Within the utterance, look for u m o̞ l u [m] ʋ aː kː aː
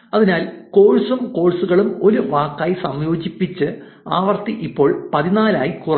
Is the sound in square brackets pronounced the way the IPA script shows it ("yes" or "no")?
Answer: no